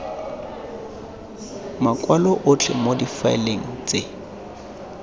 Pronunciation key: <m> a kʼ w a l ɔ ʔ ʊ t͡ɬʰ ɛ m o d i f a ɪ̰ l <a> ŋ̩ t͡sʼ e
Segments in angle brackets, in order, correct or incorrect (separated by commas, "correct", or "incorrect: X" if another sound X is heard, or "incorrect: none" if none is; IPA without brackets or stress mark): correct, incorrect: e